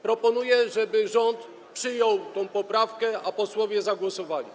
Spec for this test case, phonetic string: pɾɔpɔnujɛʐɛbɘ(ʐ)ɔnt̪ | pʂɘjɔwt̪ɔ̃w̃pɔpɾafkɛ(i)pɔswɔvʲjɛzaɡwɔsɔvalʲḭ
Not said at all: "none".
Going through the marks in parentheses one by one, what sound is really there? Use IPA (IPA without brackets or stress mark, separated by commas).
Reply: ʐ, a